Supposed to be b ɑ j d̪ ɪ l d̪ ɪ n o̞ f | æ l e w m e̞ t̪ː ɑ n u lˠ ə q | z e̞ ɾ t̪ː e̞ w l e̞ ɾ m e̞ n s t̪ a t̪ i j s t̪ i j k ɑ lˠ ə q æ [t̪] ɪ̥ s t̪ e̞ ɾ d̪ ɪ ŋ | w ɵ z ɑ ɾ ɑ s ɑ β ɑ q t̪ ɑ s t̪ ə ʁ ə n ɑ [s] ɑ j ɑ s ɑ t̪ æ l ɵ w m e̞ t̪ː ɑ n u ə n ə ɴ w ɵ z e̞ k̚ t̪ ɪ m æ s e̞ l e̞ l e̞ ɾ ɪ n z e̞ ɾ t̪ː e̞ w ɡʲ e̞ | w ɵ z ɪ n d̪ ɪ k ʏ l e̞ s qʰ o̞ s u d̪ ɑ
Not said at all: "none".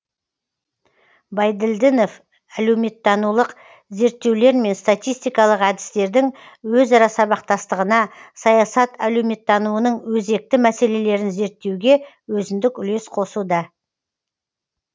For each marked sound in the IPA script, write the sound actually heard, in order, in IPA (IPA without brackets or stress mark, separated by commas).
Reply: d̪, s